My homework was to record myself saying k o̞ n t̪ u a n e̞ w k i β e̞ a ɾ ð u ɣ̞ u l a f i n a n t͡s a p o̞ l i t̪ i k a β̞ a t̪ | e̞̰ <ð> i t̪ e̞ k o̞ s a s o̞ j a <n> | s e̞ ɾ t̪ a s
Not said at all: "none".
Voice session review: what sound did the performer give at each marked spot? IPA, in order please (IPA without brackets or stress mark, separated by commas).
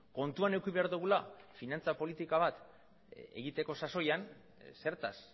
ɣ, n